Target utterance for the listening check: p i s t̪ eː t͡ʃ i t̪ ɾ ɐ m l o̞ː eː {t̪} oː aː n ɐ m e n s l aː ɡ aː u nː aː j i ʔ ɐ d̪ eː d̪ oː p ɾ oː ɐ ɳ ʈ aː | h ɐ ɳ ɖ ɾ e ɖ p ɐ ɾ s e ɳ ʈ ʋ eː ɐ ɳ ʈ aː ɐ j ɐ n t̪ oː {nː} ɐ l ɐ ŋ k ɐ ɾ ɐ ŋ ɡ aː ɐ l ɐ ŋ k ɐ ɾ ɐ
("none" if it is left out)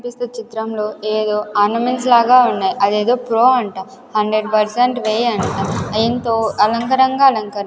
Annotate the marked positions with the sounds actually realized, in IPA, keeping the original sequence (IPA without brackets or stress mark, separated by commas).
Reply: d̪, none